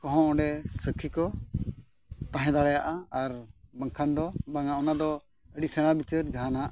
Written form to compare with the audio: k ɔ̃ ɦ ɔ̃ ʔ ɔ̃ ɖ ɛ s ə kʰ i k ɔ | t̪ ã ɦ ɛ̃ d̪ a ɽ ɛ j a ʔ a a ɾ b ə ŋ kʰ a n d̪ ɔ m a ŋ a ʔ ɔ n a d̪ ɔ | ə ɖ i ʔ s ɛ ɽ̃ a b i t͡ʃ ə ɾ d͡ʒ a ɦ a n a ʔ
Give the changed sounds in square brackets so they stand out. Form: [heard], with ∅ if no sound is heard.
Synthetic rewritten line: k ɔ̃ ɦ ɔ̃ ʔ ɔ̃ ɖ ɛ s ə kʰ i k ɔ | t̪ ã ɦ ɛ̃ d̪ a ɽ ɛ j a ʔ a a ɾ b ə ŋ kʰ a n d̪ ɔ [b] a ŋ a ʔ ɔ n a d̪ ɔ | ə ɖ i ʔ s ɛ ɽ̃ a b i t͡ʃ ə ɾ d͡ʒ a ɦ a n a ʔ